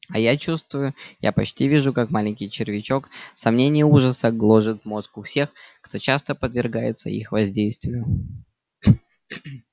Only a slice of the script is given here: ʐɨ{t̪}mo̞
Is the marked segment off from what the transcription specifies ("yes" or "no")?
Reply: no